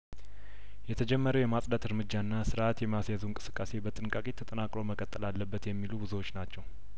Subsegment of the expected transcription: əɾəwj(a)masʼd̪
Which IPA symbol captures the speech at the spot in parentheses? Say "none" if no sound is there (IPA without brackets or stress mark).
ɛ